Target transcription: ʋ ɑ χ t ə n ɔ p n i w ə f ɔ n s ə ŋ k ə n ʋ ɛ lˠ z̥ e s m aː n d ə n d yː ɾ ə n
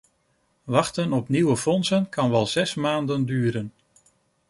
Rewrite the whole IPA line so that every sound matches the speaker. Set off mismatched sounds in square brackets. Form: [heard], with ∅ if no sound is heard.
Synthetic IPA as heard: ʋ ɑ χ t ə n ɔ p n i w ə f ɔ n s ə [n] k [ɑ] n ʋ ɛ lˠ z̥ [ɛ] s m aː n d ə n d yː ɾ ə n